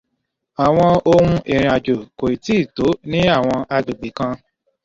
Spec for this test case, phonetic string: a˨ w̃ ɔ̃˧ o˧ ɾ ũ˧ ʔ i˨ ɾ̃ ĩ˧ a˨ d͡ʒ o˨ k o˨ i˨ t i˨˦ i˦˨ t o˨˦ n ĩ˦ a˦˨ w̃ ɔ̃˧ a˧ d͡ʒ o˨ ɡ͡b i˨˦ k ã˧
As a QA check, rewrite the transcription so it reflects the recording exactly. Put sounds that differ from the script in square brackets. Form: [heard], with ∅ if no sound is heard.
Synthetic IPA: a˨ w̃ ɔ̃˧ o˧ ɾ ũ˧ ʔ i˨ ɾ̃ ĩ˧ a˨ d͡ʒ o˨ k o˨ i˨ t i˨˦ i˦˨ t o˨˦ n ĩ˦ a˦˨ w̃ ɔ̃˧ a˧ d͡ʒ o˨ ɡ͡b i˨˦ k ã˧